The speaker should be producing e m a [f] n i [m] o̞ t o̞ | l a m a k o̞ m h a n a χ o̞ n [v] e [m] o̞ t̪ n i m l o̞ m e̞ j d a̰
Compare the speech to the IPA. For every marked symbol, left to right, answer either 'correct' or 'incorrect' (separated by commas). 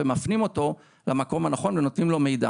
correct, correct, correct, incorrect